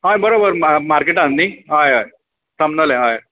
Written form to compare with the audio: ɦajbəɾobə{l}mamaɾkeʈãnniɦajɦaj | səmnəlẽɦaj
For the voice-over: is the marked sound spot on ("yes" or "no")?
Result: no